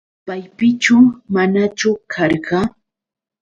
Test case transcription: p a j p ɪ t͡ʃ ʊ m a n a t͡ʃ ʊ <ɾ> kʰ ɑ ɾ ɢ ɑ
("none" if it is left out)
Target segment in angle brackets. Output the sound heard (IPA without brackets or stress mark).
none